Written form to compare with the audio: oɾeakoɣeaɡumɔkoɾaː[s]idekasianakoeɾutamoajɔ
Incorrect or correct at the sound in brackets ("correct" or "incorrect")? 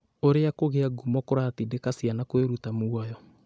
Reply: incorrect